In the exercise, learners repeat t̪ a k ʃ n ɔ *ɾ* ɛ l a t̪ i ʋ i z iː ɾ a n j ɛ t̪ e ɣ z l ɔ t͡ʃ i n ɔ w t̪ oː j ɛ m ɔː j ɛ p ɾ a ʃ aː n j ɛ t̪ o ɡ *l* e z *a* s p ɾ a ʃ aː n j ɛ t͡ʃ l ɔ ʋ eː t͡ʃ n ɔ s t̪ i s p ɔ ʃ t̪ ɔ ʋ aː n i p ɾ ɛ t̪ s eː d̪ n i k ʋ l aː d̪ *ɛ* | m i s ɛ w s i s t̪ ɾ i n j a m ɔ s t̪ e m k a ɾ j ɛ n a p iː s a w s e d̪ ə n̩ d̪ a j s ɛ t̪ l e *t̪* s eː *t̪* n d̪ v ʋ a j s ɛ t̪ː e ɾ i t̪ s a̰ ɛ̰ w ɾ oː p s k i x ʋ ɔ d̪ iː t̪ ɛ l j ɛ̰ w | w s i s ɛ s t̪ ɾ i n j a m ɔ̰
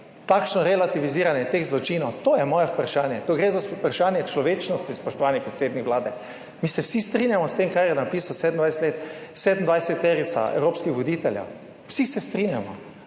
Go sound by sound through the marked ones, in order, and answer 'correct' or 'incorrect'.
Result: correct, incorrect: ɾ, correct, correct, correct, incorrect: d̪

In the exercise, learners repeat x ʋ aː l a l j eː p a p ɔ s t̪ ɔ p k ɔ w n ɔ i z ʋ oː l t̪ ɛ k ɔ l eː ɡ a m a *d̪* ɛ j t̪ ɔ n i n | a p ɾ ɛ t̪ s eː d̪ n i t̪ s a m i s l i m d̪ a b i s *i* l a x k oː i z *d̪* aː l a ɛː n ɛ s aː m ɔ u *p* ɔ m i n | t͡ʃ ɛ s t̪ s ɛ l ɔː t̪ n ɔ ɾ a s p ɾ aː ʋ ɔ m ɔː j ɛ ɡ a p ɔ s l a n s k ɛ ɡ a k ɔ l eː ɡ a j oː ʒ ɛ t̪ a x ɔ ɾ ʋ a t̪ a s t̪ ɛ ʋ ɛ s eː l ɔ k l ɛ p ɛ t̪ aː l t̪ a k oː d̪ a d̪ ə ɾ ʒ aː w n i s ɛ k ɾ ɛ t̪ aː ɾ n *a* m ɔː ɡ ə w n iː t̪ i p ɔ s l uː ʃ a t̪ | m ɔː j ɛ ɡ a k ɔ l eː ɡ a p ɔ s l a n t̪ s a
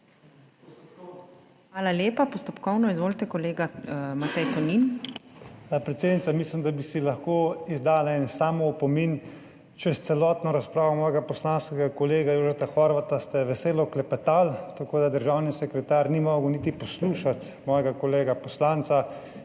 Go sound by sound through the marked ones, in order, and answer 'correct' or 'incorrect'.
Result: incorrect: t̪, correct, correct, correct, incorrect: i

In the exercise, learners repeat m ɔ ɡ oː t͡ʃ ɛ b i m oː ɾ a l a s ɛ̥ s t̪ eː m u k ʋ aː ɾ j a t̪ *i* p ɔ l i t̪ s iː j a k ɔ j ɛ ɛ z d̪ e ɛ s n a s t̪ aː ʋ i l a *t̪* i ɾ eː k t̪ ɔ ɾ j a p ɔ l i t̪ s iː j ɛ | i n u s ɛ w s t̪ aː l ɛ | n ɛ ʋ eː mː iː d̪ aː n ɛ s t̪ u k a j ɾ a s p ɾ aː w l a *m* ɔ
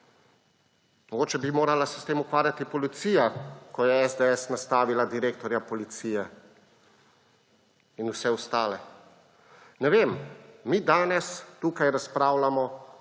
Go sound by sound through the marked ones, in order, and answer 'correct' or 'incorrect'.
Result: correct, incorrect: d̪, correct

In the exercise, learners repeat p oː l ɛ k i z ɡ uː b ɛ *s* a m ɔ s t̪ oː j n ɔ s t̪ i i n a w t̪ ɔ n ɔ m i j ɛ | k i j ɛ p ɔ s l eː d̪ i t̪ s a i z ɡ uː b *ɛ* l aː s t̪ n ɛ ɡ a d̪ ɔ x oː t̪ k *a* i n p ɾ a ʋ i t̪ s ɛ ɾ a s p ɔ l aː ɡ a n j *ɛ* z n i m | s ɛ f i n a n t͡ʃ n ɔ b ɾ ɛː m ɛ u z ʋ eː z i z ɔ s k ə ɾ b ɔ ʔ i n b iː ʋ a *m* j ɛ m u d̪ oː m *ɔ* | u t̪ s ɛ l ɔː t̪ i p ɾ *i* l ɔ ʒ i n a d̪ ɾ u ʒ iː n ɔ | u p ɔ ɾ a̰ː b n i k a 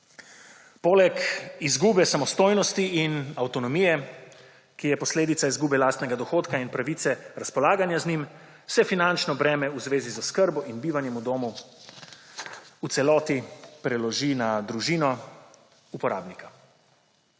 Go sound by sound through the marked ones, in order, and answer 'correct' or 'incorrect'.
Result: correct, correct, correct, incorrect: a, incorrect: n, incorrect: u, incorrect: ɛ

